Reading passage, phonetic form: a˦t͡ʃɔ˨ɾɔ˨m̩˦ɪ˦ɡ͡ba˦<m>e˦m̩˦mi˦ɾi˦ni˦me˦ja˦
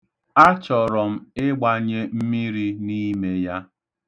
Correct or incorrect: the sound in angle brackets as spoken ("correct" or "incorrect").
incorrect